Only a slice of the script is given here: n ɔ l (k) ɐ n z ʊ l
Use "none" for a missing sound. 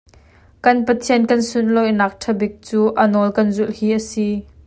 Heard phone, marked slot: k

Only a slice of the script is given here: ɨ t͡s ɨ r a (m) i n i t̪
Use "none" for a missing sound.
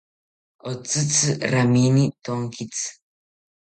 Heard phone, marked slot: m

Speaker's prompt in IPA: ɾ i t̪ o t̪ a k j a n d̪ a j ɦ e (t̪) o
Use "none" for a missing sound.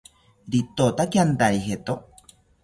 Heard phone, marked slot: t̪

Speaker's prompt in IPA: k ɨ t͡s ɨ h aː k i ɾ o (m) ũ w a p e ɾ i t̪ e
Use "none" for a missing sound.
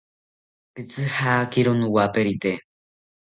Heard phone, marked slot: n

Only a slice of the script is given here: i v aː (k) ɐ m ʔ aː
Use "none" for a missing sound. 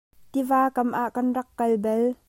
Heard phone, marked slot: k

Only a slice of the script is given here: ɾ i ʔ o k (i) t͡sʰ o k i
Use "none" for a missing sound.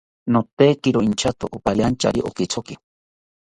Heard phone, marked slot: i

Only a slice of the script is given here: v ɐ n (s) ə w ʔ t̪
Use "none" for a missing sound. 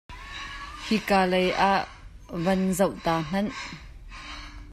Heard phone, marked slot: z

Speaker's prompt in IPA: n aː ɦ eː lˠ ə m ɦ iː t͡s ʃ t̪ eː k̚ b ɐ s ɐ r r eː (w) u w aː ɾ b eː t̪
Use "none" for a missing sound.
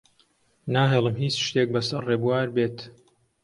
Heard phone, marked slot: b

